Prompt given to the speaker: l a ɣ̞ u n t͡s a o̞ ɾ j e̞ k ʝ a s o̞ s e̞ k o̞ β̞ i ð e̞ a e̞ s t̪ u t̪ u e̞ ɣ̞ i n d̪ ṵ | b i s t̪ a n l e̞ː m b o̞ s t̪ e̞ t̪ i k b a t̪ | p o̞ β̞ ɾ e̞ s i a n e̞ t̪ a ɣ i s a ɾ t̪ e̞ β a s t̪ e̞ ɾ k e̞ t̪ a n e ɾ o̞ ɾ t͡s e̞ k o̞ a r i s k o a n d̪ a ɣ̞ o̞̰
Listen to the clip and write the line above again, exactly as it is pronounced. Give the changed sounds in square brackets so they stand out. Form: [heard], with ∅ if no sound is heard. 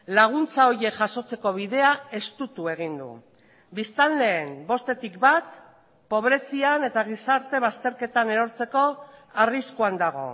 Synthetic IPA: l a ɣ̞ u n t͡s a o̞ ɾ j e̞ k ʝ a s o̞ [t͡s] e̞ k o̞ β̞ i ð e̞ a e̞ s t̪ u t̪ u e̞ ɣ̞ i n d̪ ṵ | b i s t̪ a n l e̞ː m b o̞ s t̪ e̞ t̪ i k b a t̪ | p o̞ β̞ ɾ e̞ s i a n e̞ t̪ a ɣ i s a ɾ t̪ e̞ β a s t̪ e̞ ɾ k e̞ t̪ a n e ɾ o̞ ɾ t͡s e̞ k o̞ a r i s k [u] a n d̪ a ɣ̞ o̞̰